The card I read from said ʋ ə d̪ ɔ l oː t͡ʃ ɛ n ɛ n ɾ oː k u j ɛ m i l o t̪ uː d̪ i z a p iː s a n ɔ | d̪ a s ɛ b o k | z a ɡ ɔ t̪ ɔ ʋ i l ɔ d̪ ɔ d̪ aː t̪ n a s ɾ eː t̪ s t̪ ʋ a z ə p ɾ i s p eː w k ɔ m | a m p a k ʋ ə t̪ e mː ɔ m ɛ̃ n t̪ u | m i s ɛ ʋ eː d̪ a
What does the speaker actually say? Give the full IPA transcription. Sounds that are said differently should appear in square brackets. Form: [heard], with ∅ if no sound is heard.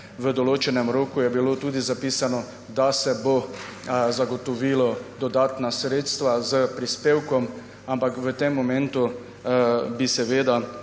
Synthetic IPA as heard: ʋ ə d̪ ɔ l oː t͡ʃ ɛ n ɛ [m] ɾ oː k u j ɛ [b] i l o t̪ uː d̪ i z a p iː s a n ɔ | d̪ a s ɛ b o [∅] | z a ɡ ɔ t̪ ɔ ʋ i l ɔ d̪ ɔ d̪ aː t̪ n a s ɾ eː t̪ s t̪ ʋ a z ə p ɾ i s p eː w k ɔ m | a m p a k ʋ ə t̪ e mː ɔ m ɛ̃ n t̪ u | [b] i s ɛ ʋ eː d̪ a

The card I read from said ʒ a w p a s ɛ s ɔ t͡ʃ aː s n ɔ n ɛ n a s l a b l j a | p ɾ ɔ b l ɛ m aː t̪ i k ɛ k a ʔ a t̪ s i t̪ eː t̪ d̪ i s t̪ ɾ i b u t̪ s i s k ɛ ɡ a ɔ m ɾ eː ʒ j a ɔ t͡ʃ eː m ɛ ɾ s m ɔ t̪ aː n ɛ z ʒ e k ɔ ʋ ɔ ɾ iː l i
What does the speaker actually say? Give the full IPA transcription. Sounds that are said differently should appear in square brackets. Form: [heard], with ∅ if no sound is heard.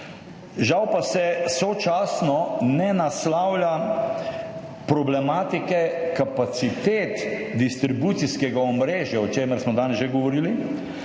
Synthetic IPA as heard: ʒ a w p a s ɛ s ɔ t͡ʃ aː s n ɔ n ɛ n a s l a [w] l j a | p ɾ ɔ b l ɛ m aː t̪ i k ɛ k a [p] a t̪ s i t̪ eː t̪ d̪ i s t̪ ɾ i b u t̪ s i s k ɛ ɡ a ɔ m ɾ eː ʒ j a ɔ t͡ʃ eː m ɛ ɾ s m ɔ [d̪] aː n ɛ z ʒ e [ɡ] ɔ ʋ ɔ ɾ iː l i

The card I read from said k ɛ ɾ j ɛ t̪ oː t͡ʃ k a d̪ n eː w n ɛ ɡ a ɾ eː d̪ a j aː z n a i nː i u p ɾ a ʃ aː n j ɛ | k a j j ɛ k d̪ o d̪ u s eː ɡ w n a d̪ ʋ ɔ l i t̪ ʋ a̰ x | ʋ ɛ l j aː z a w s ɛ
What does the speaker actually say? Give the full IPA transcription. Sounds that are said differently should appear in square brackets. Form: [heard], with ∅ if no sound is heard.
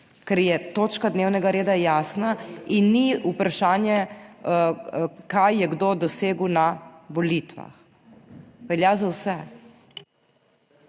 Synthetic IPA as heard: k ɛ ɾ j ɛ t̪ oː t͡ʃ k a d̪ n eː w n ɛ ɡ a ɾ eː d̪ a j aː [s] n a i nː i u p ɾ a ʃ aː n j ɛ | k a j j ɛ [ɡ] d̪ o d̪ [ɔ] s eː ɡ w n a [∅] ʋ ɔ l i t̪ ʋ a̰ x | ʋ ɛ l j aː z a w s ɛ

